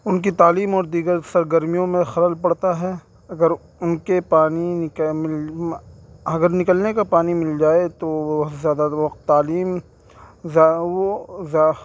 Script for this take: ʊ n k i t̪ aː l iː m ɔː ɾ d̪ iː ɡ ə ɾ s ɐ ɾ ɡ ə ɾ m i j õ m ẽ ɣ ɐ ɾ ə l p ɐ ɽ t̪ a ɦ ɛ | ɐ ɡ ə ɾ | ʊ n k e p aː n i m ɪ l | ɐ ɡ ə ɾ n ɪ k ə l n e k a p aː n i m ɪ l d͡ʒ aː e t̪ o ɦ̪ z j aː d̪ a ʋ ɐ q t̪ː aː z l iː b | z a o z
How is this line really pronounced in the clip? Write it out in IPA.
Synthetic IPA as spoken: ʊ n k i t̪ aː l iː m ɔː ɾ d̪ iː ɡ ə ɾ s ɐ ɾ ɡ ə ɾ m i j õ m ẽ x ɐ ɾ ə l p ɐ ɽ t̪ a ɦ ɛ | ɐ ɡ ə ɾ | ʊ n k e p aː n i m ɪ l | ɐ ɡ ə ɾ n ɪ k ə l n e k a p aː n i m ɪ l d͡ʒ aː e t̪ o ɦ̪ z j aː d̪ a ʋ ɐ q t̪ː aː l iː m | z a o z